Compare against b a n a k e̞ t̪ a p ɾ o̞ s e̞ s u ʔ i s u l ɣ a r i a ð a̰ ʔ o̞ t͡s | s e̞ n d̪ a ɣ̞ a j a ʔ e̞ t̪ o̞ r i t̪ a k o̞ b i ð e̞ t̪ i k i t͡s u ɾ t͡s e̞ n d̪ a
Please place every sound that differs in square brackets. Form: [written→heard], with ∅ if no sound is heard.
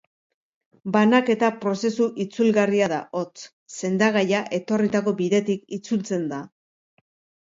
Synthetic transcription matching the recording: b a n a k e̞ t̪ a p ɾ o̞ s e̞ s u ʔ i [s→t͡s] u l ɣ a r i a ð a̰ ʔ o̞ t͡s | s e̞ n d̪ a ɣ̞ a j a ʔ e̞ t̪ o̞ r i t̪ a k o̞ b i ð e̞ t̪ i k i t͡s u [ɾ→l] t͡s e̞ n d̪ a